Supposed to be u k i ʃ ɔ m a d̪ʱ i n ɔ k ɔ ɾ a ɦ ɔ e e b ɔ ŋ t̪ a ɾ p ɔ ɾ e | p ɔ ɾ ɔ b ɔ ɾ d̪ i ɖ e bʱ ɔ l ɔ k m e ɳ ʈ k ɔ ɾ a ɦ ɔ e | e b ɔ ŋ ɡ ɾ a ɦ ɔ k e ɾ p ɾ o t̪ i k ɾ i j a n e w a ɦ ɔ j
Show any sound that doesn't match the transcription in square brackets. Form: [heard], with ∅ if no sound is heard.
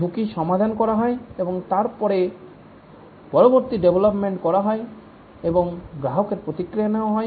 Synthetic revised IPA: u k i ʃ ɔ m a d̪ʱ [a] n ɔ k ɔ ɾ a ɦ ɔ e e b ɔ ŋ t̪ a ɾ p ɔ ɾ e | p ɔ ɾ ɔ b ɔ ɾ [t̪] i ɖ e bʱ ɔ l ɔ [p] m e ɳ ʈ k ɔ ɾ a ɦ ɔ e | e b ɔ ŋ ɡ ɾ a ɦ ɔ k e ɾ p ɾ o t̪ i k ɾ i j a n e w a ɦ ɔ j